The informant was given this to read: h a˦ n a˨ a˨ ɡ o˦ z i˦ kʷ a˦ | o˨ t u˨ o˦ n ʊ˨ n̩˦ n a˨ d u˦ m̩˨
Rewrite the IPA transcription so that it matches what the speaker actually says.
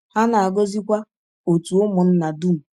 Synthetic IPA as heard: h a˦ n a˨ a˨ ɡ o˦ z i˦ kʷ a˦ | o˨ t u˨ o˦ m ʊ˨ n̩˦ n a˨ d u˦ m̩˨